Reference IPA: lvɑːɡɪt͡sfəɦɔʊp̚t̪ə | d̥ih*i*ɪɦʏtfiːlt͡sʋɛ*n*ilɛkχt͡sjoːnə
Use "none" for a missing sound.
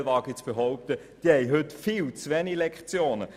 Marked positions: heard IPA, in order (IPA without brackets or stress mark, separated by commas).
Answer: ɛ, n